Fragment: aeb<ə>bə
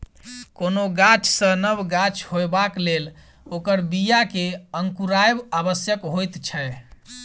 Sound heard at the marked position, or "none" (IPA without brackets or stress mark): a